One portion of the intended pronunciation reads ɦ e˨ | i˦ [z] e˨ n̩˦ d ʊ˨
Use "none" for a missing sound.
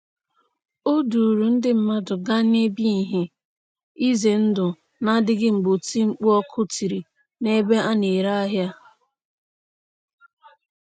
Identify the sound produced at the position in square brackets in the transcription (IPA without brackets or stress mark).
z